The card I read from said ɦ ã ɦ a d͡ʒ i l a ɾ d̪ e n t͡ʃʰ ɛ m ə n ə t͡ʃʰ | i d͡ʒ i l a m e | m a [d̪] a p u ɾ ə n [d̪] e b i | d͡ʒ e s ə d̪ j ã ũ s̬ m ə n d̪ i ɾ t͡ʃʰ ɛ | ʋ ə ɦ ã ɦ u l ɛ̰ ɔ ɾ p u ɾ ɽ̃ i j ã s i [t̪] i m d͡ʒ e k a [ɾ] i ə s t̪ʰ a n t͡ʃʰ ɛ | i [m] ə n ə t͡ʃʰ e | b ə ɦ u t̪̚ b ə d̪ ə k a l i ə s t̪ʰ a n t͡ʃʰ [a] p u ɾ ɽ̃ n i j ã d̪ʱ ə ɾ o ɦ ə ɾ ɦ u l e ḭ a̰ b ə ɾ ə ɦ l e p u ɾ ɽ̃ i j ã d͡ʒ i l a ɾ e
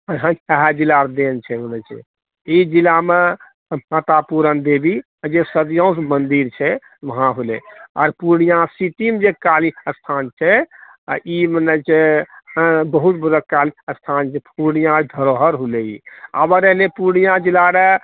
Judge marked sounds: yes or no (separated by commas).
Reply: no, yes, yes, no, yes, no